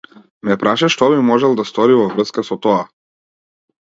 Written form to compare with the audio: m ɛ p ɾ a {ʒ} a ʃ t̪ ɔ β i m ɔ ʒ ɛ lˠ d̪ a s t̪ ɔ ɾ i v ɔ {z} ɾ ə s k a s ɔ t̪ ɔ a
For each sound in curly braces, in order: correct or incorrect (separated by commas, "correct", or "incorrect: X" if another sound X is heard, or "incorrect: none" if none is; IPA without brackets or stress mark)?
incorrect: ʃ, incorrect: v